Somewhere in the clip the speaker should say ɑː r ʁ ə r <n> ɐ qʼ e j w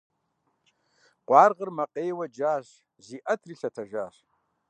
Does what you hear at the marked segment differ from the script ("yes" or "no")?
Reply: yes